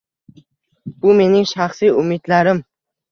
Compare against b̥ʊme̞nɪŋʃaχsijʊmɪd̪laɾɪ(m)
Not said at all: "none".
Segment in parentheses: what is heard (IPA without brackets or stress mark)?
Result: m